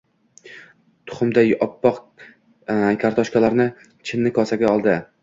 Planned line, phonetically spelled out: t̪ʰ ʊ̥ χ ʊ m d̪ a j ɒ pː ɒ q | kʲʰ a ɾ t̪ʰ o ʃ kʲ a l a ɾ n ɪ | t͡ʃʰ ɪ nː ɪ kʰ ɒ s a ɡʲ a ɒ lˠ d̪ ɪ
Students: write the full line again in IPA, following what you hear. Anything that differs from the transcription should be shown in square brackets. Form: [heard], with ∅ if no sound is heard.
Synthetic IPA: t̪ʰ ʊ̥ χ ʊ m d̪ a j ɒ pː ɒ q | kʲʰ a ɾ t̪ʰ [ɒ] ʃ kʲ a l a ɾ n ɪ | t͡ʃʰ ɪ nː ɪ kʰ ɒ s a ɡʲ a ɒ lˠ d̪ ɪ